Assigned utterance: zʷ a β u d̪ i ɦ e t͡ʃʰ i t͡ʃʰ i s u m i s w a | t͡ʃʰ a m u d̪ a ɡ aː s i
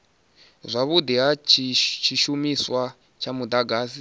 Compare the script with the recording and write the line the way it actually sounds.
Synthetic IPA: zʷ a β u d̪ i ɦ a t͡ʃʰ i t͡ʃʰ i ʃ u m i s w a | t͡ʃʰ a m u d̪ a ɡ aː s i